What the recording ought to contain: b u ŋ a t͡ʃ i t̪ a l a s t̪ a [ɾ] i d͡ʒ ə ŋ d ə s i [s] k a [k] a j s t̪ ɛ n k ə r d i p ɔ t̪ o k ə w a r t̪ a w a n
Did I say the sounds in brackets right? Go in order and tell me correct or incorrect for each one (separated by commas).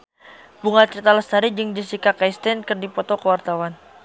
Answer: correct, incorrect, correct